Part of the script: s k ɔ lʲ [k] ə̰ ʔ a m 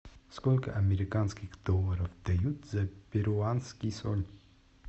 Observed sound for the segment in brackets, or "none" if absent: k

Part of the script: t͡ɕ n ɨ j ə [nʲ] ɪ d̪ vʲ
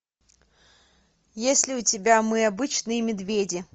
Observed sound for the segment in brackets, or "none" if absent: mʲ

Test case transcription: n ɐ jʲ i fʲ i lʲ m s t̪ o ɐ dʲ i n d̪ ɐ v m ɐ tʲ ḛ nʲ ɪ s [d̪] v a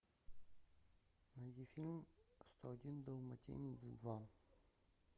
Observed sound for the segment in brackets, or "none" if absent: d̪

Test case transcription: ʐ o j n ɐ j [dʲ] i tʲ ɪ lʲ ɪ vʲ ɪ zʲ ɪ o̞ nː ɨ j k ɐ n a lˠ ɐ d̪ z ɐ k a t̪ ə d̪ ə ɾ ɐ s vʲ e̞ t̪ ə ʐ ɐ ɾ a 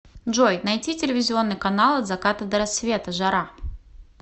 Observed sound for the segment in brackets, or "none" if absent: tʲ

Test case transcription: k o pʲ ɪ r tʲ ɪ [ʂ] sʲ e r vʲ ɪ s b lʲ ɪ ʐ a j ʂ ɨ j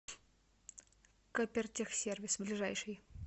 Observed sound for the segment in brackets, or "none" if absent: x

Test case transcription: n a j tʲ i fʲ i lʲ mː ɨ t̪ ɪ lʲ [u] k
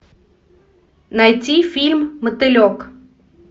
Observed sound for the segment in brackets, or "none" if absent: ɔ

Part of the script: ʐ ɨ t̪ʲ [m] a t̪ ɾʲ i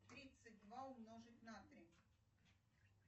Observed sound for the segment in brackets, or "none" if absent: n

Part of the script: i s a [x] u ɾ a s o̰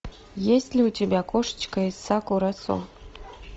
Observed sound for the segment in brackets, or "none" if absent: k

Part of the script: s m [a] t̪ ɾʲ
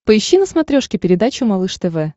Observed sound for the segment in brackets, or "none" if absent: ɐ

